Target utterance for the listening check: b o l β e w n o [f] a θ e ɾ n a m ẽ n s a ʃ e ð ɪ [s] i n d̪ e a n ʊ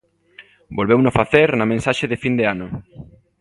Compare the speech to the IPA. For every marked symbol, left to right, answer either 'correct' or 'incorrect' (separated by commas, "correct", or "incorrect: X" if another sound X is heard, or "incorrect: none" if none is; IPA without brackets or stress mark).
correct, incorrect: f